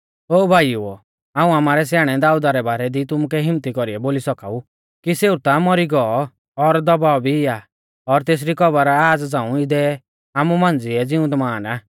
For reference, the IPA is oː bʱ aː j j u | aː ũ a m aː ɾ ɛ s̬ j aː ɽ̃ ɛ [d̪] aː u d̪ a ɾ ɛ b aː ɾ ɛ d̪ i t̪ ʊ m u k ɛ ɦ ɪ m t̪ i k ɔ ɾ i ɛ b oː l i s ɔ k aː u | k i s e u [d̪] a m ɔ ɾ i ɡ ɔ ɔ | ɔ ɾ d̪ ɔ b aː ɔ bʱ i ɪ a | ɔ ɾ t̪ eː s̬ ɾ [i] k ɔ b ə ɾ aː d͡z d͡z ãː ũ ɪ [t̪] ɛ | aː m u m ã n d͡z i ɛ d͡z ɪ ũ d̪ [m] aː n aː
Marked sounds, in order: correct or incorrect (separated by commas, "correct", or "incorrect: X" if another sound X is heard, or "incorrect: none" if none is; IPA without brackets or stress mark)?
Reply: correct, incorrect: t̪, correct, incorrect: d̪, correct